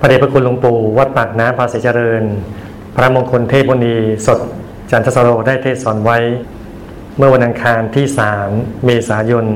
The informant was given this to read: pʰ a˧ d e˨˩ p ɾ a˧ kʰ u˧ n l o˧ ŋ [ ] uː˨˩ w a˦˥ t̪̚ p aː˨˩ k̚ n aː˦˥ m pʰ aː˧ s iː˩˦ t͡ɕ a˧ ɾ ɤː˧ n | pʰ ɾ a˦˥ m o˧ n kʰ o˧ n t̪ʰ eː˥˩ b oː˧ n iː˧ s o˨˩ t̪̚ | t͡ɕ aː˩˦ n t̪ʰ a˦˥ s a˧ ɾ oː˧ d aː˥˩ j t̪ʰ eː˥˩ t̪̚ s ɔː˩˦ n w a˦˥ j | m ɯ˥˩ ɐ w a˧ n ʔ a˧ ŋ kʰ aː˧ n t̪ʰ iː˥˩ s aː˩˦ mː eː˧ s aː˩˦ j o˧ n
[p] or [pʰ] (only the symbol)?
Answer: p